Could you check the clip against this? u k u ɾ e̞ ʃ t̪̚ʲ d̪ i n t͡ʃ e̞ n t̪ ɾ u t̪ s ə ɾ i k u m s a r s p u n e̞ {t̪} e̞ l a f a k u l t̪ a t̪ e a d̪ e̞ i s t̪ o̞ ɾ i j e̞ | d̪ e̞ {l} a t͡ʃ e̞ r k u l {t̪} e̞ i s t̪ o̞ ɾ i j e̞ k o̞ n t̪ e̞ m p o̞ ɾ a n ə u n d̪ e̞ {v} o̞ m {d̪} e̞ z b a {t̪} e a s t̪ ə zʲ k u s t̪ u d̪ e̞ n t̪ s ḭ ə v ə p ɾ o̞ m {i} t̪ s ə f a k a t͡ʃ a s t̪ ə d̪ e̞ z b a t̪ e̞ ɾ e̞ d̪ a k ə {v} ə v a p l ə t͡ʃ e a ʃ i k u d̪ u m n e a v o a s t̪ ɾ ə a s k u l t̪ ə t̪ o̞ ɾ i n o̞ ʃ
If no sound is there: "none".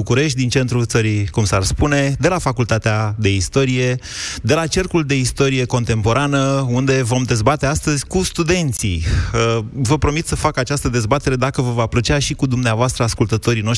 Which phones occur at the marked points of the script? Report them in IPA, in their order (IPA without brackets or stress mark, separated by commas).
d̪, l, d̪, v, d̪, t̪, i, v